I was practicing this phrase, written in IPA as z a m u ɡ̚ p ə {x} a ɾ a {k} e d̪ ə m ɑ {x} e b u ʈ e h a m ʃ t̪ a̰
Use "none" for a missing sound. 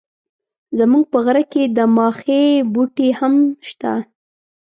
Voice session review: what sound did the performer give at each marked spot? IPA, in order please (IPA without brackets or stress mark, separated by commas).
ɣ, k, x